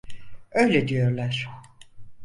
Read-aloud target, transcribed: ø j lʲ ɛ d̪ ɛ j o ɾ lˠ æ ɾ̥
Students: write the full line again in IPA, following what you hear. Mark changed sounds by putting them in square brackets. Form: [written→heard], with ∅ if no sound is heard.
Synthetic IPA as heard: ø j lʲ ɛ d̪ [ɛ→i] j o ɾ lˠ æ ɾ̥

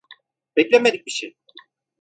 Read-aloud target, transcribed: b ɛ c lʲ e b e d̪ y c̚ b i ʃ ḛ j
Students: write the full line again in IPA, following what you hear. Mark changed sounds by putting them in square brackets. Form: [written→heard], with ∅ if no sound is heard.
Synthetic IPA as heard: b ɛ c lʲ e [b→m] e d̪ [y→i] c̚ b i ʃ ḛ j

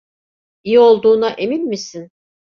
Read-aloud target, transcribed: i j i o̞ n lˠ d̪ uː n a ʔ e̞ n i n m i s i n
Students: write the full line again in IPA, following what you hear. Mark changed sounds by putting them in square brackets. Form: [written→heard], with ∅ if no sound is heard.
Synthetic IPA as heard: i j i o̞ [n→∅] lˠ d̪ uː n a ʔ e̞ [n→m] i n m i s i n

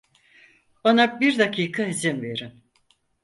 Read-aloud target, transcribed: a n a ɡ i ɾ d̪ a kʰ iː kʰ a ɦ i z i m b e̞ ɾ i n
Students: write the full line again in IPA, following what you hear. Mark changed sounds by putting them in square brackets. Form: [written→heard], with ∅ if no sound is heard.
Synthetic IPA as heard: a n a [ɡ→b] i ɾ d̪ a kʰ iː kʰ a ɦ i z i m [b→v] e̞ ɾ i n

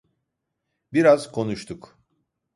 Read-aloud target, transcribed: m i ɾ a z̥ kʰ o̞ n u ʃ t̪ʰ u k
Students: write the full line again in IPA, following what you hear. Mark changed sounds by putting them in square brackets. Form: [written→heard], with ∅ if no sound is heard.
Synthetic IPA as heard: [m→b] i ɾ a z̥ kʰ o̞ n u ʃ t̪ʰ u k

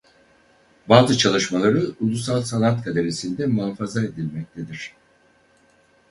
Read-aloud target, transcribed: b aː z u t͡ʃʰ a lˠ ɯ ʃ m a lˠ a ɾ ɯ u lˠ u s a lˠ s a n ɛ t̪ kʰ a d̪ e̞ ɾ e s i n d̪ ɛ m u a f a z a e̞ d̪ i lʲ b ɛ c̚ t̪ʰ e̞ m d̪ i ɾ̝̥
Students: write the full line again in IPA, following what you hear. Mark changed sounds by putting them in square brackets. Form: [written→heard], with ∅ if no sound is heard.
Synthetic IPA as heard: b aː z [u→ɯ] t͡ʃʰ a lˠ ɯ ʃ m a lˠ a ɾ ɯ u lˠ u s a lˠ s a n [ɛ→a] t̪ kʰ a d̪ e̞ ɾ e s i n d̪ ɛ m u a f a z a e̞ d̪ i lʲ [b→m] ɛ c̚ t̪ʰ e̞ [m→∅] d̪ i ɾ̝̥

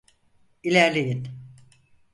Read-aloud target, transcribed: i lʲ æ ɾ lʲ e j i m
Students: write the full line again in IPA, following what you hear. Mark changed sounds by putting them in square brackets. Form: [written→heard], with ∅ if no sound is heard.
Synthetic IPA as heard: i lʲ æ ɾ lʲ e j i [m→n]

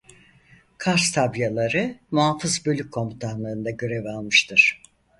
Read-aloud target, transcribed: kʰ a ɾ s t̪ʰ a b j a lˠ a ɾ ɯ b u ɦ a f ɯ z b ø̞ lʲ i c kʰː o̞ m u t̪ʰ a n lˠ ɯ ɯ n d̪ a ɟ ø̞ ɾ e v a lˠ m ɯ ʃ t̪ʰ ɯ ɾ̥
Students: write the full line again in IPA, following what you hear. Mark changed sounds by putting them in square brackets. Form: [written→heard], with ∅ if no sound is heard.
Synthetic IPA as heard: kʰ a ɾ s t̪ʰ a b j a lˠ a ɾ ɯ [b→m] u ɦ a f ɯ z b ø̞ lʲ [i→y] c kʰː o̞ m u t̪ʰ a n lˠ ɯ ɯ n d̪ a ɟ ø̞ ɾ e v a lˠ m ɯ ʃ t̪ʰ ɯ ɾ̥

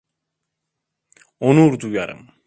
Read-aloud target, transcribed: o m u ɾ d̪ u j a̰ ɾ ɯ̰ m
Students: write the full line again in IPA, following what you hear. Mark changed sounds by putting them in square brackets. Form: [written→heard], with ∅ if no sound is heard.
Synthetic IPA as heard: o [m→n] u ɾ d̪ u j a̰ ɾ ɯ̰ m

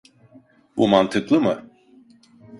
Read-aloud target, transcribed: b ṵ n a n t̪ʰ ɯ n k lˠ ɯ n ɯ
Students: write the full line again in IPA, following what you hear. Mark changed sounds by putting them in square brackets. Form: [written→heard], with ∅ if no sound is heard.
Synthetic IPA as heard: b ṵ [n→m] a n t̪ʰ ɯ [n→∅] k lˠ ɯ [n→m] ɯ

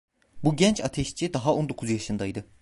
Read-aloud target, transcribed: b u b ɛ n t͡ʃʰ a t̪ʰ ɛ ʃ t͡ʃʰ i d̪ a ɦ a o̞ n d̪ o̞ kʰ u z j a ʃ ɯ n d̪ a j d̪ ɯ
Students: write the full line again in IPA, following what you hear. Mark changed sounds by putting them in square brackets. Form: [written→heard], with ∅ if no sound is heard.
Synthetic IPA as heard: b u [b→ɟ] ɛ n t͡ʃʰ a t̪ʰ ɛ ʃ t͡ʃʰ i d̪ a ɦ a o̞ n d̪ o̞ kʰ u z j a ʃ ɯ n d̪ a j d̪ ɯ

